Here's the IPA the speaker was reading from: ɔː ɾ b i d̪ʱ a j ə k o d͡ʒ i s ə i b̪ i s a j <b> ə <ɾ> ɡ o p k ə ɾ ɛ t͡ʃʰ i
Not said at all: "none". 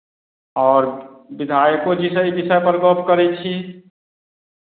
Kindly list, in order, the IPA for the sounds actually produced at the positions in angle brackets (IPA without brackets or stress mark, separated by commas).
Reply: p, ɾ